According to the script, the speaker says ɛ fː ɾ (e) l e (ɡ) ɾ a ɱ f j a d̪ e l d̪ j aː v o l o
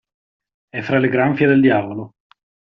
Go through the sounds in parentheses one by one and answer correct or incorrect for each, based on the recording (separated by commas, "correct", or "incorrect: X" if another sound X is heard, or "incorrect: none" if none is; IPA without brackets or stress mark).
incorrect: a, correct